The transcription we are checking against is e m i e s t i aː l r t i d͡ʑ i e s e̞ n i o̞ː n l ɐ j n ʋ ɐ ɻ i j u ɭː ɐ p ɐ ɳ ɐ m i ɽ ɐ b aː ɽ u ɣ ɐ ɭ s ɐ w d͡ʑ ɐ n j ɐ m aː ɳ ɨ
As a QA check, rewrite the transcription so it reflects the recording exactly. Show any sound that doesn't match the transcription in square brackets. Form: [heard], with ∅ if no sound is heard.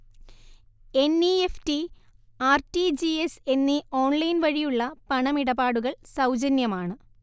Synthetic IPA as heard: e [n] i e [f] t i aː [∅] r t i d͡ʑ i e s e̞ [nː] i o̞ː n l ɐ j n ʋ ɐ ɻ i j u ɭː ɐ p ɐ ɳ ɐ m i ɽ ɐ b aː ɽ u ɣ ɐ ɭ s ɐ w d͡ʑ ɐ n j ɐ m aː ɳ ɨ